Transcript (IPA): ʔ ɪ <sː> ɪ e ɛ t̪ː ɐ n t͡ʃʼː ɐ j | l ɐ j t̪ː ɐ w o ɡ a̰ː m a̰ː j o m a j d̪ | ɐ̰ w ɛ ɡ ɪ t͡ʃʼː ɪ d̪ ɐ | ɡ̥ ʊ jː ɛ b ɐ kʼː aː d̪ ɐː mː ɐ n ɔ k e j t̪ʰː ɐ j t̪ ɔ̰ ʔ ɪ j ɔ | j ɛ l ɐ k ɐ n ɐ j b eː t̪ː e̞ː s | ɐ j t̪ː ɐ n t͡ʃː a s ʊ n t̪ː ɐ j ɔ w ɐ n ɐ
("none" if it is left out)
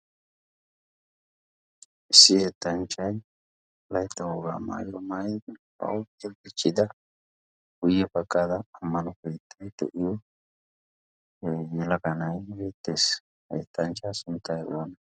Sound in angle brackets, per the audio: sː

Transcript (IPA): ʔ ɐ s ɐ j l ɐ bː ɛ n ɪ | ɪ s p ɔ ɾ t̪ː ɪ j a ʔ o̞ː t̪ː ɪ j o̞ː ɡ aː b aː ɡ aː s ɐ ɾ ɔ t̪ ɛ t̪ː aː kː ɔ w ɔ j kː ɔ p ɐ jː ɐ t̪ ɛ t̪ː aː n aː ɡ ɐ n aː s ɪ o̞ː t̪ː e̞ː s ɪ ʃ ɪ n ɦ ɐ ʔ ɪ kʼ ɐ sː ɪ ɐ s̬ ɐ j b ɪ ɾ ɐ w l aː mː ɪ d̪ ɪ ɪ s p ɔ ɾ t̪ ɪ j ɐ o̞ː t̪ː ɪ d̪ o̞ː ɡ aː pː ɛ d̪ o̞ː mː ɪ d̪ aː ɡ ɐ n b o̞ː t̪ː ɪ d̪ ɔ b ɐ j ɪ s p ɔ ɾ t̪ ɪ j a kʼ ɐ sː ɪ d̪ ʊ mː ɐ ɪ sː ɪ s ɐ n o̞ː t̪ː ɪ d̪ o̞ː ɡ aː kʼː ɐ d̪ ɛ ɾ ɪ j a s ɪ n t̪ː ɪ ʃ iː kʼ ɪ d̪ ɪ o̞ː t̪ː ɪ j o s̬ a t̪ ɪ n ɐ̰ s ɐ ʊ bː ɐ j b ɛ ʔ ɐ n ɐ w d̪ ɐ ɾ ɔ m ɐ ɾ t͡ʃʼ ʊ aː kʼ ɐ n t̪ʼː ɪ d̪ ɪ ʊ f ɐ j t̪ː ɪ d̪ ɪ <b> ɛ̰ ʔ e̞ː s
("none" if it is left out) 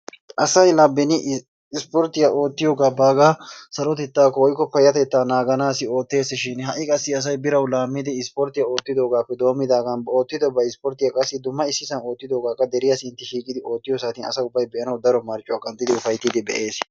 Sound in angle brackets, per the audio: b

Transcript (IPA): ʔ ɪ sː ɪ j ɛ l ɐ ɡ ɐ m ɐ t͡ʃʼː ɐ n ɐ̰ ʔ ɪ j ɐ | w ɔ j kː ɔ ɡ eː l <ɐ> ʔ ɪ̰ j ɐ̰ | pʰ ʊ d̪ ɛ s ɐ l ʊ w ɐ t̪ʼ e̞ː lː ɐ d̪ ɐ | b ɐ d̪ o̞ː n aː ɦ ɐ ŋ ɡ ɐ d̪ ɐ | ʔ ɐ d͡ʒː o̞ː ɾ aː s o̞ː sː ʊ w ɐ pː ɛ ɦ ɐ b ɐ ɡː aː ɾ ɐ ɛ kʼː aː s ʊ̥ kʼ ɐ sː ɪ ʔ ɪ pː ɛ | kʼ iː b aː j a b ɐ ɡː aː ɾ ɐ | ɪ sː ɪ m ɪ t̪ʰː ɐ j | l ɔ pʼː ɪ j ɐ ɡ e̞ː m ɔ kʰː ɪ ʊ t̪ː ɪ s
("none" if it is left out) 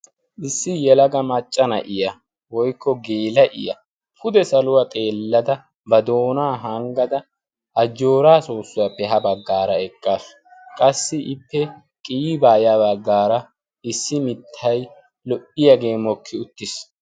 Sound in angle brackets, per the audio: ɐ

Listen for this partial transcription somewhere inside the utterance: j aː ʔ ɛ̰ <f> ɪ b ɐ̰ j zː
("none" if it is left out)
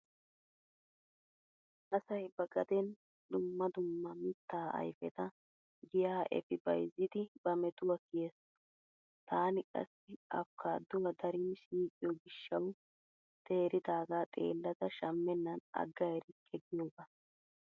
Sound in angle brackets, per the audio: f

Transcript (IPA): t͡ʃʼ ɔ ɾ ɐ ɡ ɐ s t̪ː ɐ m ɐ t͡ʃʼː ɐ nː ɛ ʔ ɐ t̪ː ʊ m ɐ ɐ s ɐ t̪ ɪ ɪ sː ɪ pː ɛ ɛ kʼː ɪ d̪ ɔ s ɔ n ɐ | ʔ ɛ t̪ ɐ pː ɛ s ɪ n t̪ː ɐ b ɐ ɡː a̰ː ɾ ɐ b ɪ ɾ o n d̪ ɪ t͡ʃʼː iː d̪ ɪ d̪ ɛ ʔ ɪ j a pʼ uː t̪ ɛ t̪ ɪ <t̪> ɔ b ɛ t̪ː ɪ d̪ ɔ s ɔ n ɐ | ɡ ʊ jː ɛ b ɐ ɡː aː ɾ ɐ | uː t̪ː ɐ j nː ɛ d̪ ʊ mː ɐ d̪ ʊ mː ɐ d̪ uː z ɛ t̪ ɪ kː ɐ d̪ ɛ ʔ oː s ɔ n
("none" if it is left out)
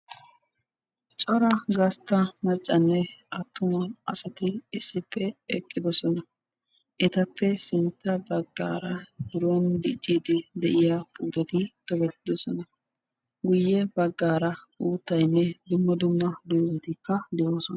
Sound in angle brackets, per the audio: t̪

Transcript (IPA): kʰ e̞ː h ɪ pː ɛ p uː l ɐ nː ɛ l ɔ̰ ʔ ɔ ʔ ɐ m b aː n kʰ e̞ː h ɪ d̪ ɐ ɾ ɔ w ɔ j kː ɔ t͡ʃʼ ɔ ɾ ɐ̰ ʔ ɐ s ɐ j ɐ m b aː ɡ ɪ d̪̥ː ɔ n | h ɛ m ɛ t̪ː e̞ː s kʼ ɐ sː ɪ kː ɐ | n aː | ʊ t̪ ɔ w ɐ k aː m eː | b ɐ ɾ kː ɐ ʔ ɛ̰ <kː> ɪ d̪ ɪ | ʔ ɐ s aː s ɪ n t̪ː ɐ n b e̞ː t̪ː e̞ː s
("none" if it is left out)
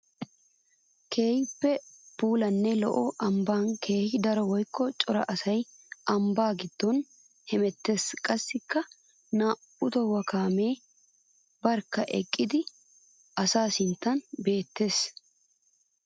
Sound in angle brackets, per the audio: kʼː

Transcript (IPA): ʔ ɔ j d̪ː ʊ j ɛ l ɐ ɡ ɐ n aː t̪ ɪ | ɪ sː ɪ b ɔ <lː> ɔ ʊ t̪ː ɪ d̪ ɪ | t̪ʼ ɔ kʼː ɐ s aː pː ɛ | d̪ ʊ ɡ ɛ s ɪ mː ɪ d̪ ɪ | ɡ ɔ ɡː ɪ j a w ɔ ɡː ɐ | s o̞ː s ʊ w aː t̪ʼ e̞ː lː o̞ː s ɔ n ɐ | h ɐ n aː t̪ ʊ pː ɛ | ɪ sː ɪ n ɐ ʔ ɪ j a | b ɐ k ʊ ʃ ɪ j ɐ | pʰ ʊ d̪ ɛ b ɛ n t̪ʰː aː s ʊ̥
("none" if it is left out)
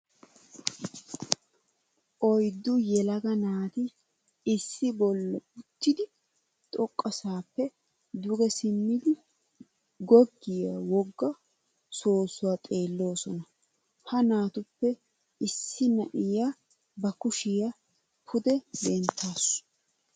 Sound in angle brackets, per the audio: lː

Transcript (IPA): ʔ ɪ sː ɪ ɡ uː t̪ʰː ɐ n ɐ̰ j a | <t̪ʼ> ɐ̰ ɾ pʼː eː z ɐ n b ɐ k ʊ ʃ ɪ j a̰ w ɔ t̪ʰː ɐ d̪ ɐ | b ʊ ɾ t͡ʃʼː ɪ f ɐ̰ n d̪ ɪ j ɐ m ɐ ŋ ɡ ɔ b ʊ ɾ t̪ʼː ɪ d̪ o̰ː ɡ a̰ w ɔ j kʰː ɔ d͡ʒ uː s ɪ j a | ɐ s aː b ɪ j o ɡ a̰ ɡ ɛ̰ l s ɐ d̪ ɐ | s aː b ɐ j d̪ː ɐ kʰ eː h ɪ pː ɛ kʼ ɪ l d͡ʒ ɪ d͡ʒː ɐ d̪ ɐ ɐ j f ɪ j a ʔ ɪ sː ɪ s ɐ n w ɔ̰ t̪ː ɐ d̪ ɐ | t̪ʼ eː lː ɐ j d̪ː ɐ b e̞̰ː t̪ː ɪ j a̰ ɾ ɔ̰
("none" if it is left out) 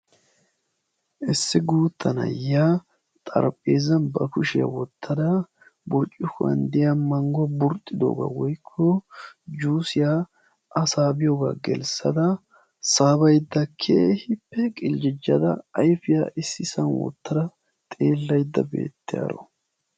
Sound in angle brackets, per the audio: t̪ʼ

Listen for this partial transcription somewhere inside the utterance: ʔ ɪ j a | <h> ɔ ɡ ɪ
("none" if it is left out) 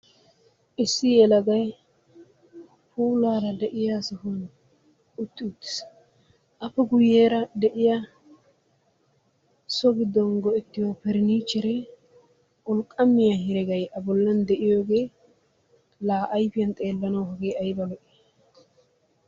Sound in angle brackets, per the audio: s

